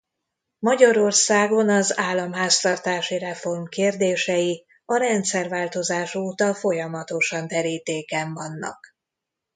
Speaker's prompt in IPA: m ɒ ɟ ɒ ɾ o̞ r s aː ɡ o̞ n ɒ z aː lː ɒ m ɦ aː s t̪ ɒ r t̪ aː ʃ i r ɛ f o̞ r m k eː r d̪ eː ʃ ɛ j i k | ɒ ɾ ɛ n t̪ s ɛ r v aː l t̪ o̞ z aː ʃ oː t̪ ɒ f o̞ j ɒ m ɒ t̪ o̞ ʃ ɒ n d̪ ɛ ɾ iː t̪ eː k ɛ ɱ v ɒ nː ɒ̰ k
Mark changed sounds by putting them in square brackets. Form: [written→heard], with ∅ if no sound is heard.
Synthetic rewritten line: m ɒ ɟ ɒ ɾ o̞ r s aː ɡ o̞ n ɒ z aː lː ɒ m ɦ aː s t̪ ɒ r t̪ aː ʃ i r ɛ f o̞ r m k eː r d̪ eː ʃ ɛ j i [k→∅] | ɒ ɾ ɛ n t̪ s ɛ r v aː l t̪ o̞ z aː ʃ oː t̪ ɒ f o̞ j ɒ m ɒ t̪ o̞ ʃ ɒ n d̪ ɛ ɾ iː t̪ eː k ɛ ɱ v ɒ nː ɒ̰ k

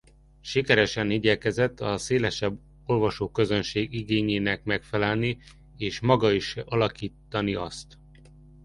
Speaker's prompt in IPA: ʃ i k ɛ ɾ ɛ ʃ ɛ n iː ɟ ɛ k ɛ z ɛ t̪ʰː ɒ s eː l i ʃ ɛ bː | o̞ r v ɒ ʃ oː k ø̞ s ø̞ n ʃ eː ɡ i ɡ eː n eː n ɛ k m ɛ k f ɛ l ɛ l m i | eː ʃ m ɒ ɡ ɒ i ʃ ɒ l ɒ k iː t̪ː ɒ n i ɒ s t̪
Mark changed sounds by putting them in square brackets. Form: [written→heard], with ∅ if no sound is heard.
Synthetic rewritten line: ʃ i k ɛ ɾ ɛ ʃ ɛ n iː ɟ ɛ k ɛ z ɛ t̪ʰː ɒ s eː l [i→ɛ] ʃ ɛ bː | o̞ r v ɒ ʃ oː k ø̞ [s→z] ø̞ n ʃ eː ɡ i ɡ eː [n→ɲ] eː n ɛ k m ɛ k f ɛ l ɛ l [m→n] i | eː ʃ m ɒ ɡ ɒ i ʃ ɒ l ɒ k iː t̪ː ɒ n i ɒ s t̪

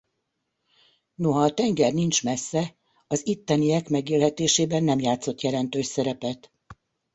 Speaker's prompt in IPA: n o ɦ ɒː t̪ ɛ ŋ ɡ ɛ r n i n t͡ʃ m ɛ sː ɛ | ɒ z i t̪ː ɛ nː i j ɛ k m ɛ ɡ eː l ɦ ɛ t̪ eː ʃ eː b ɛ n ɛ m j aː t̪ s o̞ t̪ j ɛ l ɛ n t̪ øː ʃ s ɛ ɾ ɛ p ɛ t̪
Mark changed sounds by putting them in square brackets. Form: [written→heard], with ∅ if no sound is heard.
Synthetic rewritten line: n o ɦ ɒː t̪ ɛ ŋ ɡ ɛ r n i n t͡ʃ m ɛ sː ɛ | ɒ z i t̪ː ɛ [nː→n] i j ɛ k m ɛ ɡ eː l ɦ ɛ t̪ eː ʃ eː b ɛ [n→nː] ɛ m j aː t̪ s o̞ t̪ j ɛ l ɛ n t̪ øː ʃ s ɛ ɾ ɛ p ɛ t̪

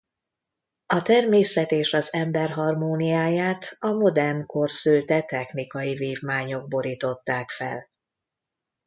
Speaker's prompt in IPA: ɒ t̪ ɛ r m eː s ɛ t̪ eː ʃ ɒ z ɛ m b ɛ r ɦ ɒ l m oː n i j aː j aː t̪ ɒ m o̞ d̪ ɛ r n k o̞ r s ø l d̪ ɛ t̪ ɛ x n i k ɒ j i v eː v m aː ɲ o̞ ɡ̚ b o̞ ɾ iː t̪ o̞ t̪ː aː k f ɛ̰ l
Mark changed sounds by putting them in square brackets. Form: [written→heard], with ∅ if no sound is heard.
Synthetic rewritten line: ɒ t̪ ɛ r m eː s ɛ t̪ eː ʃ ɒ z ɛ m b ɛ r ɦ ɒ [l→r] m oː n i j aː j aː t̪ ɒ m o̞ d̪ ɛ r n k o̞ r s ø l [d̪→t̪] ɛ t̪ ɛ x n i k ɒ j i v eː v m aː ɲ o̞ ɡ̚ b o̞ ɾ iː t̪ o̞ t̪ː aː k f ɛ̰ l

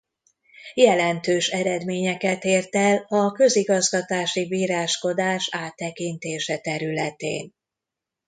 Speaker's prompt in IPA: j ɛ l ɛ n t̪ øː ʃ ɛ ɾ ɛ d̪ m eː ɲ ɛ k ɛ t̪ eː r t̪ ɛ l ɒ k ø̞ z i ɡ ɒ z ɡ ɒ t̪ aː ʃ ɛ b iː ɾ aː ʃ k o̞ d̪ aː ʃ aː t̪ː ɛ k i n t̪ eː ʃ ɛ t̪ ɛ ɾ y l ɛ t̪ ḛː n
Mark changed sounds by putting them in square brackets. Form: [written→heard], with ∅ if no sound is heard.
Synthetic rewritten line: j ɛ l ɛ n t̪ øː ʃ ɛ ɾ ɛ d̪ m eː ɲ ɛ k ɛ t̪ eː r t̪ ɛ l ɒ k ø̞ z i ɡ ɒ z ɡ ɒ t̪ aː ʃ [ɛ→i] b iː ɾ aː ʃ k o̞ d̪ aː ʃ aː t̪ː ɛ k i n t̪ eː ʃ ɛ t̪ ɛ ɾ y l ɛ t̪ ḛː n

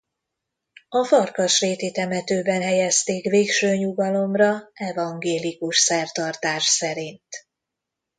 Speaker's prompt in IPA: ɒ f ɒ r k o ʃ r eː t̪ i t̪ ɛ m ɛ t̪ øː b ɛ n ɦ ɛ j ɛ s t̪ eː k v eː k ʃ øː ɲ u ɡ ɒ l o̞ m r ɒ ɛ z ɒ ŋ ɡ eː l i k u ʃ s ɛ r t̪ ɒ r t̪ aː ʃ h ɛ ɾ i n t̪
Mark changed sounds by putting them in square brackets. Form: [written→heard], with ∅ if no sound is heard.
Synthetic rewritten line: ɒ f ɒ r k [o→ɒ] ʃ r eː t̪ i t̪ ɛ m ɛ t̪ øː b ɛ n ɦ ɛ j ɛ s t̪ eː k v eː k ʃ øː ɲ u ɡ ɒ l o̞ m r ɒ ɛ [z→v] ɒ ŋ ɡ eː l i k u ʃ s ɛ r t̪ ɒ r t̪ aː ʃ [h→s] ɛ ɾ i n t̪

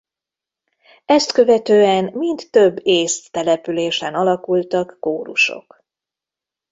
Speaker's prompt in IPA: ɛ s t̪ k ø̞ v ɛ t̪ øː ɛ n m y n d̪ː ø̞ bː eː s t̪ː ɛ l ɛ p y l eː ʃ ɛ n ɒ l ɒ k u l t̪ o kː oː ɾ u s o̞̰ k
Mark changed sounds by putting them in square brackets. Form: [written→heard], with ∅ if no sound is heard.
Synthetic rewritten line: ɛ s t̪ k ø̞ v ɛ t̪ øː ɛ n m [y→i] n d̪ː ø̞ bː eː s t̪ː ɛ l ɛ p y l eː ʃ ɛ n ɒ l ɒ k u l t̪ [o→ɒ] kː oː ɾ u [s→ʃ] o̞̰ k

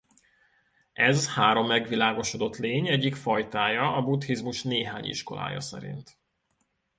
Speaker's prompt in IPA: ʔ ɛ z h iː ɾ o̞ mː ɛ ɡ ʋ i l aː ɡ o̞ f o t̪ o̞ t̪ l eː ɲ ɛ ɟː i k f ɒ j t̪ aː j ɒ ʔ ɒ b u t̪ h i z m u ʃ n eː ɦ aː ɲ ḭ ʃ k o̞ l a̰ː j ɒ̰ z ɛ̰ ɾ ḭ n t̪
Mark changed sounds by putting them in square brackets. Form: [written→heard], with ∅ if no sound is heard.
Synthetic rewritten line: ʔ ɛ z h [iː→aː] ɾ o̞ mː ɛ ɡ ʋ i l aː ɡ o̞ [f→ʃ] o [t̪→d̪] o̞ t̪ l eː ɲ ɛ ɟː i k f ɒ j t̪ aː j ɒ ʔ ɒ b u t̪ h i z m u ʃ n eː ɦ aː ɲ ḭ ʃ k o̞ l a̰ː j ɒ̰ [z→s] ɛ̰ ɾ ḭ n t̪

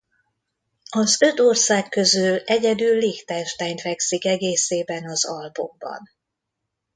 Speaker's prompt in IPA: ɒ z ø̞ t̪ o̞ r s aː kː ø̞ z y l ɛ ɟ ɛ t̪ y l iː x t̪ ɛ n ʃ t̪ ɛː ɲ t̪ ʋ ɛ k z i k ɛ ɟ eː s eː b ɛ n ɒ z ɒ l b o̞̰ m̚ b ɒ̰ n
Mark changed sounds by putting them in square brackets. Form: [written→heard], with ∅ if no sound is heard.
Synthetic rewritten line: ɒ z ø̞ t̪ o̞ r s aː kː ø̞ z y l ɛ ɟ ɛ [t̪→d̪] y [l→lː] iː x t̪ ɛ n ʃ t̪ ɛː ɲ t̪ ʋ ɛ k [z→s] i k ɛ [ɟ→ɡ] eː s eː b ɛ n ɒ z ɒ l b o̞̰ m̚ b ɒ̰ n

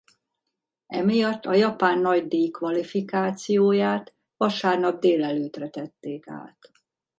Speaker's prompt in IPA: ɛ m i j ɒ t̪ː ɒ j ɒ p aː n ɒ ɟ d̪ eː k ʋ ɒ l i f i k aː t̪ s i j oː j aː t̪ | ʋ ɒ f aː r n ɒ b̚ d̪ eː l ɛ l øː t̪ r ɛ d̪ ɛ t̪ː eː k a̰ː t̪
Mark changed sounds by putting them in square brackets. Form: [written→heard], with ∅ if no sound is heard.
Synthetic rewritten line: ɛ m i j ɒ t̪ː ɒ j ɒ p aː [n→nː] ɒ ɟ d̪ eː k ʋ ɒ l i f i k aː t̪ s i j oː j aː t̪ | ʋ ɒ [f→ʃ] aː r n ɒ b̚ d̪ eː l ɛ l øː t̪ r ɛ [d̪→t̪] ɛ t̪ː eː k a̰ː t̪

